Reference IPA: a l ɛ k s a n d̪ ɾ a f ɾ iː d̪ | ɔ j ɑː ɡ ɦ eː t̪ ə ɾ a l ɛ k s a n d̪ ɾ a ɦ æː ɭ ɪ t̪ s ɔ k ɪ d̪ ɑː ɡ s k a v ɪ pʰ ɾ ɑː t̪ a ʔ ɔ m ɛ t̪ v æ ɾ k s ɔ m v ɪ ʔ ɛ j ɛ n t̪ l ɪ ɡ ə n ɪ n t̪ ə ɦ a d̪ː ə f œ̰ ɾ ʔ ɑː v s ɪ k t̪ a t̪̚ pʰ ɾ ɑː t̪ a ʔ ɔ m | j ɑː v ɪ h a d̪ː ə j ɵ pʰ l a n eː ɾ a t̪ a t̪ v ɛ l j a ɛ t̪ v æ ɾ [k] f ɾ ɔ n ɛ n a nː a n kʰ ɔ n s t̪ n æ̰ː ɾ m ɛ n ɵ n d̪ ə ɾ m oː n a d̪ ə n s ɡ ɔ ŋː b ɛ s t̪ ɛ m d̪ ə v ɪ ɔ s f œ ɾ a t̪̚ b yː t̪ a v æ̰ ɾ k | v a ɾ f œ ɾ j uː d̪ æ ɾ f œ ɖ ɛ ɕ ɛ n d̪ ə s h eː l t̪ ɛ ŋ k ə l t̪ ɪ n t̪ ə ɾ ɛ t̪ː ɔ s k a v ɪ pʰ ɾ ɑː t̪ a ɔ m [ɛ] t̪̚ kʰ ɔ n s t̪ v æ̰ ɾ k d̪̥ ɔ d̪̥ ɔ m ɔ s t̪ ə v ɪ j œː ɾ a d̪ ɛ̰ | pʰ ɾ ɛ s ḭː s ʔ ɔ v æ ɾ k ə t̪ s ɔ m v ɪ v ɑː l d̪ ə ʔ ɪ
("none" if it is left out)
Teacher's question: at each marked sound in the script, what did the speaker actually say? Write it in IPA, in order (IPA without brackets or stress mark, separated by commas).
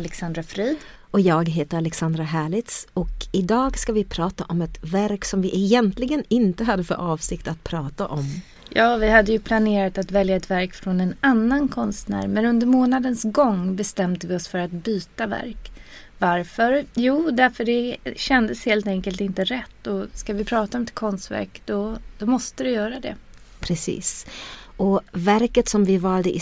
k, ɛ